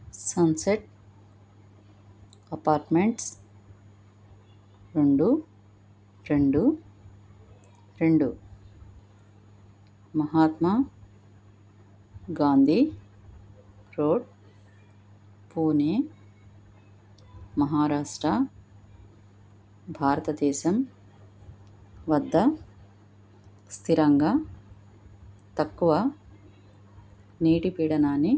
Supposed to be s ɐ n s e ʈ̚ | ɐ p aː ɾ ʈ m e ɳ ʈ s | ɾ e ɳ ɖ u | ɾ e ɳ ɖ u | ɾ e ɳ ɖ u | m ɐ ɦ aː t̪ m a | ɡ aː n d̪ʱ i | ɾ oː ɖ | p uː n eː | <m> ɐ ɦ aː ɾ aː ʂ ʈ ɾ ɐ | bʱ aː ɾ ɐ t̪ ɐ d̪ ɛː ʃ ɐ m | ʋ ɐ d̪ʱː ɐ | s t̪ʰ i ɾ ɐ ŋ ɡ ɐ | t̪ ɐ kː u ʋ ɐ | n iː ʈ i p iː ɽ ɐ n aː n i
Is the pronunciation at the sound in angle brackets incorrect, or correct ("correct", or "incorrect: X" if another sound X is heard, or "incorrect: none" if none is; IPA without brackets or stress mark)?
correct